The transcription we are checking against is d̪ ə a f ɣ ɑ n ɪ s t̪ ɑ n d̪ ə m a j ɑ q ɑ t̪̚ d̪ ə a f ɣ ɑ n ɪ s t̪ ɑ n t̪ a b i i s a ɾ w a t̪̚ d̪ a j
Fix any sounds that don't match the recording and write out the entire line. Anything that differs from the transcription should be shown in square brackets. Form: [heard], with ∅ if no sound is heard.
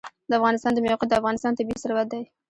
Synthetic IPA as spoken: d̪ ə a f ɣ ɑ n ɪ s t̪ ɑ n d̪ ə m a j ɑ q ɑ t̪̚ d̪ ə a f ɣ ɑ n ɪ s t̪ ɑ n t̪ a b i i s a ɾ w a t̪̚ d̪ a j